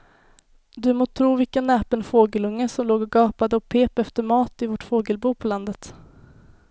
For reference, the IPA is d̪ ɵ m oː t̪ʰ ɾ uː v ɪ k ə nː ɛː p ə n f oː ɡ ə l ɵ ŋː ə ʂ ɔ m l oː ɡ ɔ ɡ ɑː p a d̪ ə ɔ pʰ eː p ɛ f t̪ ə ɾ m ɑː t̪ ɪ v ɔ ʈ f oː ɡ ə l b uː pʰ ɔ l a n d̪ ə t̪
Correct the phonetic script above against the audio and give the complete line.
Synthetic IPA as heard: d̪ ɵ m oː t̪ʰ ɾ uː v ɪ k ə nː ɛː p ə n f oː ɡ ə l ɵ ŋː ə s ɔ m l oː ɡ ɔ ɡ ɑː p a d̪ ə ɔ pʰ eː p ɛ f t̪ ə ɾ m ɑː t̪ ɪ v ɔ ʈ f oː ɡ ə l b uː pʰ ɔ l a n d̪ ə t̪